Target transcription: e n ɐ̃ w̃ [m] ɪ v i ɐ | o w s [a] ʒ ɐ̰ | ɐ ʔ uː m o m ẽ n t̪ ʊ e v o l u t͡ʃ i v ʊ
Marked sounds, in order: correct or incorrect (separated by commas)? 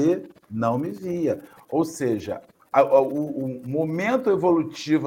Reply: correct, incorrect